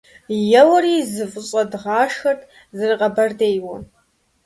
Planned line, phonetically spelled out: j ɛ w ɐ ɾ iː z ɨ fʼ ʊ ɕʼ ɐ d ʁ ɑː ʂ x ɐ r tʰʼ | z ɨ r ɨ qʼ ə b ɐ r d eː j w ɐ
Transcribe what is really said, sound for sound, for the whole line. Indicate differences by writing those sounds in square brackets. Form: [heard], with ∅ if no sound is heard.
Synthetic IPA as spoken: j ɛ w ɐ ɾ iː z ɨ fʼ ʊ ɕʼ ɐ d ʁ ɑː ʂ x ɐ r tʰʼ | z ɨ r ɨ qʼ [ɐ] b ɐ r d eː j w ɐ